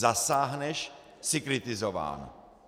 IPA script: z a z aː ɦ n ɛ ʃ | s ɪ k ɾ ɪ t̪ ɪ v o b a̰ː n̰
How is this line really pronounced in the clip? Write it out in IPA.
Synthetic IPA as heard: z a s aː ɦ n ɛ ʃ | s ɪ k ɾ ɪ t̪ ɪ z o v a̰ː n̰